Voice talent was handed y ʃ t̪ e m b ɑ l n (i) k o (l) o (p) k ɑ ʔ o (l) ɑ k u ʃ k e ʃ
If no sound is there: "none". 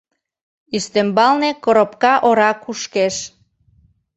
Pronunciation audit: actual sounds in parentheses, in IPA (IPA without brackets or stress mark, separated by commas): e, ɾ, p, ɾ